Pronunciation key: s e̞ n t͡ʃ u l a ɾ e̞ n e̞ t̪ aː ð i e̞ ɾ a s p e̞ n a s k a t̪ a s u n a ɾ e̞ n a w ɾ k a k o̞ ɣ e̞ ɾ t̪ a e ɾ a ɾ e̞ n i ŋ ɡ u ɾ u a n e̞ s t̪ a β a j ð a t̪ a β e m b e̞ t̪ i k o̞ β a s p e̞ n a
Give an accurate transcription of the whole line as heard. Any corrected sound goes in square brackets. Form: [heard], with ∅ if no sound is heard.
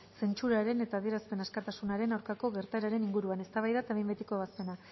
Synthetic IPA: s e̞ n t͡ʃ u [ɾ] a ɾ e̞ n e̞ t̪ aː ð i e̞ ɾ a s p e̞ n a s k a t̪ a s u n a ɾ e̞ n a w ɾ k a k o̞ ɣ e̞ ɾ t̪ a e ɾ a ɾ e̞ n i ŋ ɡ u ɾ u a n e̞ s t̪ a β a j ð a t̪ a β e m b e̞ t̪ i k o̞ β a s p e̞ n a